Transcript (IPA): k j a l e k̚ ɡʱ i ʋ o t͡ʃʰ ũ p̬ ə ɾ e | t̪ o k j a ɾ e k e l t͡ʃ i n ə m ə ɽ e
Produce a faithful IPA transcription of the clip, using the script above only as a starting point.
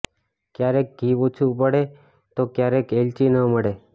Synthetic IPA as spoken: k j a ɾ e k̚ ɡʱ i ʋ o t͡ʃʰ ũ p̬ ə ɽ e | t̪ o k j a ɾ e k e l t͡ʃ i n ə m ə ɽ e

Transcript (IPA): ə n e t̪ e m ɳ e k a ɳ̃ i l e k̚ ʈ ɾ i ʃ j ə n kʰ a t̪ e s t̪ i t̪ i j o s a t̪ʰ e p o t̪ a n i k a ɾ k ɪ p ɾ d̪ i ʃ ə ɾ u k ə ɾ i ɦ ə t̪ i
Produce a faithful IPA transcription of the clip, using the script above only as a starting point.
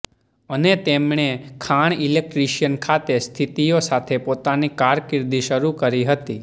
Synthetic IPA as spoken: ə n e t̪ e m ɳ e kʰ a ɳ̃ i l e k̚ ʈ ɾ i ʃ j ə n kʰ a t̪ e s t̪ʰ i t̪ i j o s a t̪ʰ e p o t̪ a n i k a ɾ k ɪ ɾ d̪ i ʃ ə ɾ u k ə ɾ i ɦ ə t̪ i

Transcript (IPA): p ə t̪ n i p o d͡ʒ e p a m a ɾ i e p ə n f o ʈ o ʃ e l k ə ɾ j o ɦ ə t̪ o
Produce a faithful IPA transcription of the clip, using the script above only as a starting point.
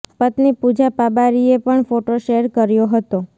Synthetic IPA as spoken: p ə t̪ n i p u d͡ʒ a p a b a ɾ i e p ə ɳ f o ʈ o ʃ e ɾ k ə ɾ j o ɦ ə t̪ o

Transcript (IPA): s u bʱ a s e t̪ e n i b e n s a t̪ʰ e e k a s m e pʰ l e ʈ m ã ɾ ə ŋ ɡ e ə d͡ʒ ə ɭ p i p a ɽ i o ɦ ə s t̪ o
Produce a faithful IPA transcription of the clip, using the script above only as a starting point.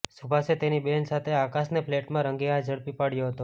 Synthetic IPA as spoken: s u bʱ a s e t̪ e n i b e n s a t̪ʰ e a k a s n e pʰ l e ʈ m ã ɾ ə ŋ ɡ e a d͡ʒ ə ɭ p i p a ɽ j o ɦ ə t̪ o

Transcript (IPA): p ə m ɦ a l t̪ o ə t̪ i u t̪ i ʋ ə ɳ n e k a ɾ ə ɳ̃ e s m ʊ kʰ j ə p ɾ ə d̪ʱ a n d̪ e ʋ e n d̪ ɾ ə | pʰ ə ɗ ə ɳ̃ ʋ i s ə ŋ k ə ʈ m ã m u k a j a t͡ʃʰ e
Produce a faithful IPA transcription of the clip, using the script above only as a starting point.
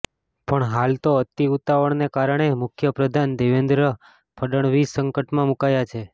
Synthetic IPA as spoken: p ə ɳ ɦ a l t̪ o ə t̪ i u t̪ a ʋ ə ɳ n e k a ɾ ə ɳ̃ e m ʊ kʰ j ə p ɾ ə d̪ʱ a n d̪ e ʋ e n d̪ ɾ ə | pʰ ə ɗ ə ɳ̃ ʋ i s ə ŋ k ə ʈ m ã m u k a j a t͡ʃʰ e

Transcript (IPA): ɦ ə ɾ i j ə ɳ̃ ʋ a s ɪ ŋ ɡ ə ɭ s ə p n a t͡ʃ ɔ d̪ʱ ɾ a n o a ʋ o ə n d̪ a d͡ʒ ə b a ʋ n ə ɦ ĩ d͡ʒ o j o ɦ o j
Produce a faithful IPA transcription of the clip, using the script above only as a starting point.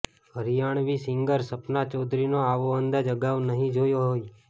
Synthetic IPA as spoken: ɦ ə ɾ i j a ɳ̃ ʋ i s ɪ ŋ ɡ ə ɾ s ə p n a t͡ʃ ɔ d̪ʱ ɾ i n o a ʋ o ə n d̪ a d͡ʒ ə ɡ a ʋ n ə ɦ ĩ d͡ʒ o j o ɦ o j

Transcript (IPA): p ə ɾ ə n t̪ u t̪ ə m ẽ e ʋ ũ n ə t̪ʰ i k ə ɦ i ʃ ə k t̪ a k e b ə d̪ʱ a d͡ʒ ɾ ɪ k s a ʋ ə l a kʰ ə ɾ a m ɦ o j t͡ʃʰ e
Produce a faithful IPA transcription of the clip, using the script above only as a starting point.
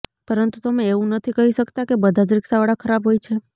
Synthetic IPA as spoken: p ə ɾ ə n t̪ u t̪ ə m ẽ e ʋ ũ n ə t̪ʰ i k ə ɦ i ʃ ə k t̪ a k e b ə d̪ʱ a d͡ʒ ɾ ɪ k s a ʋ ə ɽ a kʰ ə ɾ a b ɦ o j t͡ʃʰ e

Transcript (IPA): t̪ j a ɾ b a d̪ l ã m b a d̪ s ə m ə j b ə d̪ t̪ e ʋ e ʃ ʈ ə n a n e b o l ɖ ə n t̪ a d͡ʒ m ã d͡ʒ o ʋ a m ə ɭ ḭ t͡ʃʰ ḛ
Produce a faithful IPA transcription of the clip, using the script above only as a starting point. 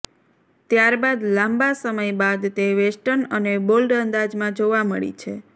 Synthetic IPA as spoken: t̪ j a ɾ b a d̪ l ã m b a s ə m ə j b a d̪ t̪ e ʋ e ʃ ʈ ə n ə n e b o l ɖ ə n d̪ a d͡ʒ m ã d͡ʒ o ʋ a m ə ɭ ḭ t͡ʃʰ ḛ

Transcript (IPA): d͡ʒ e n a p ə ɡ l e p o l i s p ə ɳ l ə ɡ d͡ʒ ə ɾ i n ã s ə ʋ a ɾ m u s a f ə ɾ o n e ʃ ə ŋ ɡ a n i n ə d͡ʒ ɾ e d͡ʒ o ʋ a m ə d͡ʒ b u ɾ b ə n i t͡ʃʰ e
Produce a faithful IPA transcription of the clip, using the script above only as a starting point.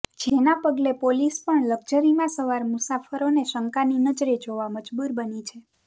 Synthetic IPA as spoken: d͡ʒ e n a p ə ɡ l e p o l i s p ə ɳ l ə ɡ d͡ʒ ə ɾ i m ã s ə ʋ a ɾ m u s a f ə ɾ o n e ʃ ə ŋ k a n i n ə d͡ʒ ɾ e d͡ʒ o ʋ a m ə d͡ʒ b u ɾ b ə n i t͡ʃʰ e

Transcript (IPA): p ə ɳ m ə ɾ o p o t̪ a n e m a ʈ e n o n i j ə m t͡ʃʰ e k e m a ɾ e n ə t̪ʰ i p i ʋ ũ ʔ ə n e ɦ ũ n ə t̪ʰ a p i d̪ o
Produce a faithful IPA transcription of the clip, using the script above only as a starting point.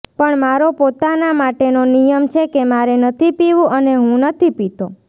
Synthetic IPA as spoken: p ə ɳ m a ɾ o p o t̪ a n a m a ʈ e n o n i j ə m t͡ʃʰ e k e m a ɾ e n ə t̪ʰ i p i ʋ ũ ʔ ə n e ɦ ũ n ə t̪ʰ i p i t̪ o

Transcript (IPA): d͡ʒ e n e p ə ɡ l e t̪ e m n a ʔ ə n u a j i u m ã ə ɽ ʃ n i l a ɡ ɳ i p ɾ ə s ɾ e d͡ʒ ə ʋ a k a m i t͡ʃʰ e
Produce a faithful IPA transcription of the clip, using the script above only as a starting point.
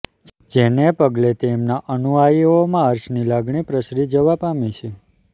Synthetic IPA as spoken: d͡ʒ e n e p ə ɡ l e t̪ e m n a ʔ ə n u a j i o m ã ə ɾ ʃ n i l a ɡ ɳ i p ɾ ə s ɾ i d͡ʒ ə ʋ a p a m i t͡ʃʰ e

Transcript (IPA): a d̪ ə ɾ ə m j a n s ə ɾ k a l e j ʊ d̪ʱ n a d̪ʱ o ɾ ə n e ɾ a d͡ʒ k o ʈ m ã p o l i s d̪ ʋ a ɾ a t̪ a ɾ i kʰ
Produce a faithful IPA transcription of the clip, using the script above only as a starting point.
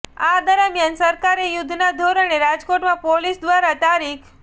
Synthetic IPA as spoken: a d̪ ə ɾ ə m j a n s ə ɾ k a ɾ e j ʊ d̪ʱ n a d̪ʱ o ɾ ə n e ɾ a d͡ʒ k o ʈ m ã p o l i s d̪ ʋ a ɾ a t̪ a ɾ i kʰ

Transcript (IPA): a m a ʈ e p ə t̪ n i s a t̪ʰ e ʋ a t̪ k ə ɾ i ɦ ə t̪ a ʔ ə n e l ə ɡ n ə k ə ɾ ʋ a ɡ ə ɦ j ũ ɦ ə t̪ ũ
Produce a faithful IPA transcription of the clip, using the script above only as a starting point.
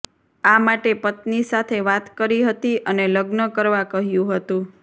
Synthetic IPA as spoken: a m a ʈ e p ə t̪ n i s a t̪ʰ e ʋ a t̪ k ə ɾ i ɦ ə t̪ i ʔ ə n e l ə ɡ n ə k ə ɾ ʋ a k ə ɦ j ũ ɦ ə t̪ ũ

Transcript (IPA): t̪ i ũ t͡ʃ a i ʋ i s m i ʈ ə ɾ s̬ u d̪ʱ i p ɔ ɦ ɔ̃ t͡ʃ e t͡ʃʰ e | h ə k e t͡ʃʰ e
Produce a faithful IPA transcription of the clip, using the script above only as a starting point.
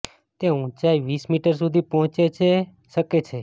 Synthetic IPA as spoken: t̪ e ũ t͡ʃ a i ʋ i s m i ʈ ə ɾ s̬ u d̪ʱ i p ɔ ɦ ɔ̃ t͡ʃ e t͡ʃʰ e | ʃ ə k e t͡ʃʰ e

